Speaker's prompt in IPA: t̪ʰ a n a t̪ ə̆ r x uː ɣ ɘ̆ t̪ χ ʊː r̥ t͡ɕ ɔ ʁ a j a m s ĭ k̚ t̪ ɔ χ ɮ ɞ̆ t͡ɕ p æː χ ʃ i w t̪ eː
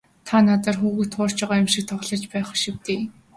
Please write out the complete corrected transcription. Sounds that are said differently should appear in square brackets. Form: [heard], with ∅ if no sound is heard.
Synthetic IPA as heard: t̪ʰ a n a t̪ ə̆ r x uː ɣ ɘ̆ t̪ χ ʊː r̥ t͡ɕ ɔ ʁ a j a m [ʃ] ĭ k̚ [t̪ʰ] ɔ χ ɮ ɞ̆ t͡ɕ p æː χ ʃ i w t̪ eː